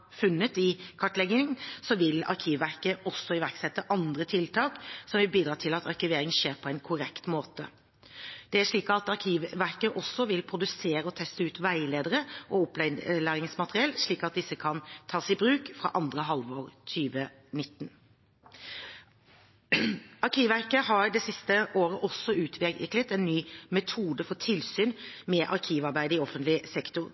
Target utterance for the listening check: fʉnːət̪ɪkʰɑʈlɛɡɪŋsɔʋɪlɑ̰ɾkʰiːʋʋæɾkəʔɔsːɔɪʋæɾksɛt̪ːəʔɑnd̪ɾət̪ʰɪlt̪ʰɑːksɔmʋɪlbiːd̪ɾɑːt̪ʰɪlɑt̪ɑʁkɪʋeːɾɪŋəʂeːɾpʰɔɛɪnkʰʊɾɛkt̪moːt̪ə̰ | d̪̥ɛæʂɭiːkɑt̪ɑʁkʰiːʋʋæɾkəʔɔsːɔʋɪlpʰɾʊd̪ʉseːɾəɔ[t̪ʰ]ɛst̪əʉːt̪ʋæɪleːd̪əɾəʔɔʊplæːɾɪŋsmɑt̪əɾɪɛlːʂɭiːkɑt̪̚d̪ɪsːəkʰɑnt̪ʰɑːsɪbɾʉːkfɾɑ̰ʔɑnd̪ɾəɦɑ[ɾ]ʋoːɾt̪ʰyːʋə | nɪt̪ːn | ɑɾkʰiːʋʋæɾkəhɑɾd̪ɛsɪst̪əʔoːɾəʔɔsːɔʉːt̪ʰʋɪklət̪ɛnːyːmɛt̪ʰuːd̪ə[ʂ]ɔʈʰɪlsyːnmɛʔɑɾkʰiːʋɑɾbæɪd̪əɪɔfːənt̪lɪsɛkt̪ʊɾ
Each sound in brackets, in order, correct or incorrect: correct, incorrect, incorrect

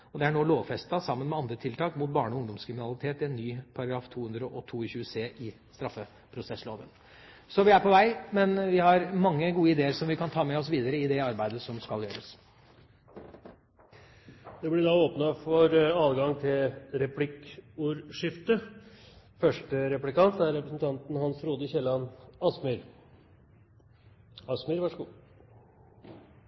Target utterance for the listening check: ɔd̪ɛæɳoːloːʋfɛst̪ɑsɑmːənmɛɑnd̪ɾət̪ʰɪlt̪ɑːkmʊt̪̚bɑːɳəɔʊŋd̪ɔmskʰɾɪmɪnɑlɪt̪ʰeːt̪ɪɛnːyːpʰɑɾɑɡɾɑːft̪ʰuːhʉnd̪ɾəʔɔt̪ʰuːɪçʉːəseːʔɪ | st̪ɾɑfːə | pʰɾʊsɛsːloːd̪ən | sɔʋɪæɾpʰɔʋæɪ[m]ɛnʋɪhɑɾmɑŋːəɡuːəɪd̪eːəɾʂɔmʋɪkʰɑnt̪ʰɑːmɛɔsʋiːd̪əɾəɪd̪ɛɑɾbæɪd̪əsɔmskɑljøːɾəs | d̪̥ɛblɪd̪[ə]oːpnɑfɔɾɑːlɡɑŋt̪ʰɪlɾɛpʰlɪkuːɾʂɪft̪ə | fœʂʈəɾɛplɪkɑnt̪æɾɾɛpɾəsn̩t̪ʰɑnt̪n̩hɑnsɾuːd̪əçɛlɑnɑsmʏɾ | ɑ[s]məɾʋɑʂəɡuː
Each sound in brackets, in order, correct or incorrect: correct, incorrect, correct

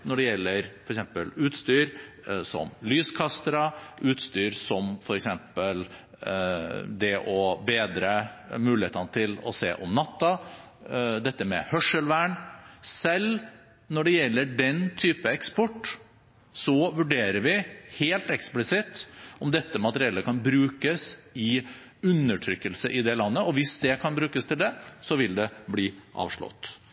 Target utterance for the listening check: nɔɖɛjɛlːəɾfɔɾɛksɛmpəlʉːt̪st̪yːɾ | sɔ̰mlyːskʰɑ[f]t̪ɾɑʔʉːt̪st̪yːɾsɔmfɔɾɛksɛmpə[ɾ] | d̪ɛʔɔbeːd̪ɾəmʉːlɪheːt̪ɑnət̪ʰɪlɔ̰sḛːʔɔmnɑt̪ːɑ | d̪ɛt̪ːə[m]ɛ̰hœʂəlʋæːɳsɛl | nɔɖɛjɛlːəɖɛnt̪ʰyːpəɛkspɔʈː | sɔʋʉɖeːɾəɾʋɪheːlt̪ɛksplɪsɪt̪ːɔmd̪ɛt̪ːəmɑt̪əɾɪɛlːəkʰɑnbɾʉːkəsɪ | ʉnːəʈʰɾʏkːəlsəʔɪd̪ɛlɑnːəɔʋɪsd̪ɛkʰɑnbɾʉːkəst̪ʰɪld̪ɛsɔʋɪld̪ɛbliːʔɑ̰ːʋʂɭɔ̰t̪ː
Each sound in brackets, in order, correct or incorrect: incorrect, incorrect, correct

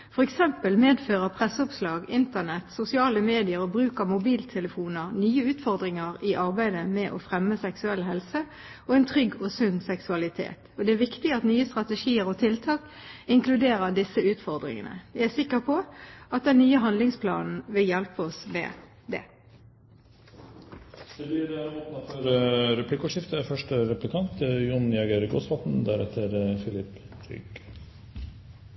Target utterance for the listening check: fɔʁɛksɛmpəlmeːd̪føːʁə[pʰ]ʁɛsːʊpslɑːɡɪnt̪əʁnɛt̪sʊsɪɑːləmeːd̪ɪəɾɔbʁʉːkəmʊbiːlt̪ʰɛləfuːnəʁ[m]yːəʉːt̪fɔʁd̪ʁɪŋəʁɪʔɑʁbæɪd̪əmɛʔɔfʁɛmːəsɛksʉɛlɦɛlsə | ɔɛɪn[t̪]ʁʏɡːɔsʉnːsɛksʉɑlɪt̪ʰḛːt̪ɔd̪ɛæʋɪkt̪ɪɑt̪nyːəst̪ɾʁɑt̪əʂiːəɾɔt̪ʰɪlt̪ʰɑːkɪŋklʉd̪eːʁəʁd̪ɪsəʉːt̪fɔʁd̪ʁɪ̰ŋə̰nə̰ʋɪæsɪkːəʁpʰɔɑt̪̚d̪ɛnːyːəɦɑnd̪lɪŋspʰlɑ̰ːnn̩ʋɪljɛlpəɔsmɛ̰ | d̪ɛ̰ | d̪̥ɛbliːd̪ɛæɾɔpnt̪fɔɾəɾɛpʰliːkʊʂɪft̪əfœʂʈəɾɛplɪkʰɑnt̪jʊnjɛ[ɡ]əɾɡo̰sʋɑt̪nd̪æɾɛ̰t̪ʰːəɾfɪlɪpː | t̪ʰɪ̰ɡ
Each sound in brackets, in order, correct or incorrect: correct, incorrect, incorrect, correct

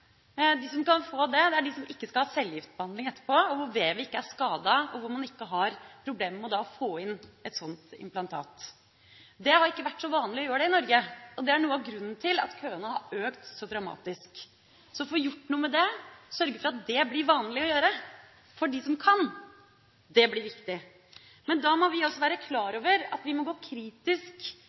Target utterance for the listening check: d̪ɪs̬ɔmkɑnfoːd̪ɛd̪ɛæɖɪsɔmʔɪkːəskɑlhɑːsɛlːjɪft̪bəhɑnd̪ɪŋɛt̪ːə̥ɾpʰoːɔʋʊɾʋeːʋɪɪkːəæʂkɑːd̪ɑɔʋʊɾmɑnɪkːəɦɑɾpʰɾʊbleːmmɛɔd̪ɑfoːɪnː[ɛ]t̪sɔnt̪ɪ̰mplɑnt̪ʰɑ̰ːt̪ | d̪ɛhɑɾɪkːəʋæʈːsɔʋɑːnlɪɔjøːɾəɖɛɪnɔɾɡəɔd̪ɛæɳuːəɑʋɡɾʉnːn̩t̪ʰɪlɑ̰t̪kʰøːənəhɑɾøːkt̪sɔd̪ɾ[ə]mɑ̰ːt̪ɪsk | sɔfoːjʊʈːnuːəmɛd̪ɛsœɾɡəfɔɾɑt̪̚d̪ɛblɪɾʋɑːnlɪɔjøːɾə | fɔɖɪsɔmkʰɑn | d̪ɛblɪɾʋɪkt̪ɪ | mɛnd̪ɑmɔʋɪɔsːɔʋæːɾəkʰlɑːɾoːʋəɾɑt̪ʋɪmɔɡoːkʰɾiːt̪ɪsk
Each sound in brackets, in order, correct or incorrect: correct, incorrect

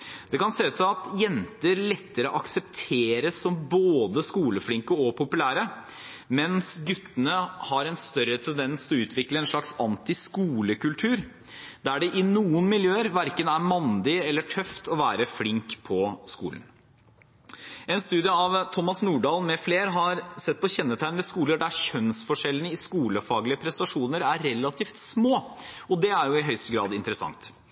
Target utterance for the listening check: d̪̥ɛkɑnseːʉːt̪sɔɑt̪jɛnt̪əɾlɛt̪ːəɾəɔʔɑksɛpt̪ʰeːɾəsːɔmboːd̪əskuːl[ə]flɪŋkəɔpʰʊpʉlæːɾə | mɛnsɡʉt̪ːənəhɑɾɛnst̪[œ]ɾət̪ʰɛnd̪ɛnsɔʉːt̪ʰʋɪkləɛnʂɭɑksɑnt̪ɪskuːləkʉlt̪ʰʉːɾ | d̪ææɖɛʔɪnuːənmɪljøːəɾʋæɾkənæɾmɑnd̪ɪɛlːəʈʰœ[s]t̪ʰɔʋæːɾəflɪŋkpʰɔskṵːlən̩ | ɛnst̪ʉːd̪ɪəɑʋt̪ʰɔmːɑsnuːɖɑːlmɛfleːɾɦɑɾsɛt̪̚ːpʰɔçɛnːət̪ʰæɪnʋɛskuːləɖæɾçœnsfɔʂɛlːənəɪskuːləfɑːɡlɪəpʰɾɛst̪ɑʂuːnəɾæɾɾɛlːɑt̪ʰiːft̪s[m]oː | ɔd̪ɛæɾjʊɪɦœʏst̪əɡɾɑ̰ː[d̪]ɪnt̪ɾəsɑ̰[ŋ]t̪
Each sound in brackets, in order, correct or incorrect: correct, correct, incorrect, correct, correct, correct

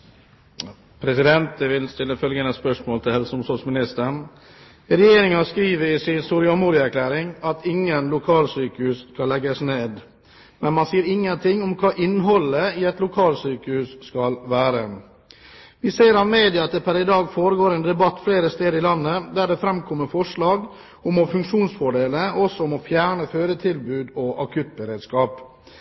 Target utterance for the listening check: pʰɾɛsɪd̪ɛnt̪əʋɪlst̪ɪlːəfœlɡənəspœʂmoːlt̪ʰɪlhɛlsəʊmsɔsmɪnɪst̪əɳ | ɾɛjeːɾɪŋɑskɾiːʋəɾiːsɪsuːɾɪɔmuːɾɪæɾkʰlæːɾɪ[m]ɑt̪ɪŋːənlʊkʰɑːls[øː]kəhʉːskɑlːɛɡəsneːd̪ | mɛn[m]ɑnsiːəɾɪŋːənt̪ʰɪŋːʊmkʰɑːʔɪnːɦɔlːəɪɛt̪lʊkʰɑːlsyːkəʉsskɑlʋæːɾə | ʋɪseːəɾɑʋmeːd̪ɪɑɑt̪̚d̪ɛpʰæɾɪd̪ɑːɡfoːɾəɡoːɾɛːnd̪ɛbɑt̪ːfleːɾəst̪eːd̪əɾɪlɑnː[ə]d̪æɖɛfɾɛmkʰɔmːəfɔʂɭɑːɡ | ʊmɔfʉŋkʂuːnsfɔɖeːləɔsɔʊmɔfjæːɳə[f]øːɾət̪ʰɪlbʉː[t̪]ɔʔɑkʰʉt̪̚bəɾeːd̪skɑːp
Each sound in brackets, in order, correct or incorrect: incorrect, incorrect, correct, correct, correct, incorrect

